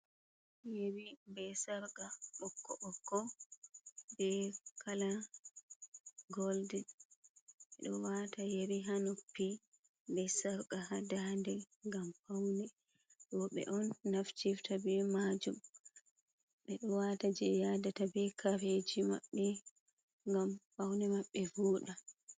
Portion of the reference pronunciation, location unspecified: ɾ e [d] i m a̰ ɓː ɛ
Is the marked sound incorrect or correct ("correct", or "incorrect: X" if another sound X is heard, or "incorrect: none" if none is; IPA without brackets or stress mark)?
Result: incorrect: d͡ʒ